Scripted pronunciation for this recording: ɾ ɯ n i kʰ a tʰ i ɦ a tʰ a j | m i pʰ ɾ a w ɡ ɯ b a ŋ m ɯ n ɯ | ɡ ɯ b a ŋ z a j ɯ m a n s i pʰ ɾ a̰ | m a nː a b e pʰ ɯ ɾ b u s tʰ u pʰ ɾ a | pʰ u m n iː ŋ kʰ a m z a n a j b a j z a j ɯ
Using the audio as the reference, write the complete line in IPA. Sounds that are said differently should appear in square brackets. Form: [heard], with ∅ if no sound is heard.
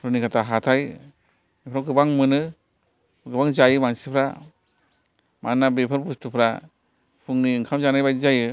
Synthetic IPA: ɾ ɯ n i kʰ a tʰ [a] ɦ a tʰ a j | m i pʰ ɾ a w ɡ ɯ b a ŋ m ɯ n ɯ | ɡ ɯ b a ŋ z a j ɯ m a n s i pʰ ɾ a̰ | m a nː a b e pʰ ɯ ɾ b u s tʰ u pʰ ɾ a | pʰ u [ŋ] n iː ŋ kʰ a m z a n a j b a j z a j ɯ